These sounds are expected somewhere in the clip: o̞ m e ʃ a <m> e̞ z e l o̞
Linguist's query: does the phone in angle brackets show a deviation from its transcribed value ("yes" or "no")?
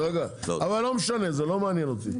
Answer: yes